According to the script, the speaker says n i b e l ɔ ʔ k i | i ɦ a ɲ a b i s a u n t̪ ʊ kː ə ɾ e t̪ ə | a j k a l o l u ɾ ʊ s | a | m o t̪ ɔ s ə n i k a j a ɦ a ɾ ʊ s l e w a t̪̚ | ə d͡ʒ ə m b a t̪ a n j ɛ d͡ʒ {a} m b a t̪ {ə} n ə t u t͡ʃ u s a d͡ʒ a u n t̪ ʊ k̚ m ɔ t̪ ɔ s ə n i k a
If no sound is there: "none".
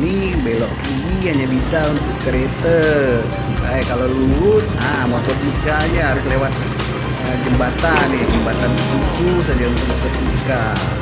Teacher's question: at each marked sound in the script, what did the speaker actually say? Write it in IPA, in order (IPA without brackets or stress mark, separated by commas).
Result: ə, a